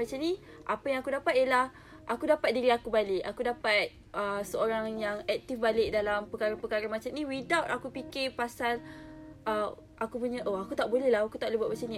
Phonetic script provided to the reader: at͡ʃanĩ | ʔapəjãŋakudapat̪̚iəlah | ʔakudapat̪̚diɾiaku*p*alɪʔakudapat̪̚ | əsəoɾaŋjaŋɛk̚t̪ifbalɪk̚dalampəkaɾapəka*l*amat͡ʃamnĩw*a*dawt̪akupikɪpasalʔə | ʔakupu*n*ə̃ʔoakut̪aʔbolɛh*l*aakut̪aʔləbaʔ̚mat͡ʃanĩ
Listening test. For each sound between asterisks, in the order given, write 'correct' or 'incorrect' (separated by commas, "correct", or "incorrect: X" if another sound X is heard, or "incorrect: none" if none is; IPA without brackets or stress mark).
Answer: incorrect: b, incorrect: ɾ, incorrect: i, incorrect: ɲ, correct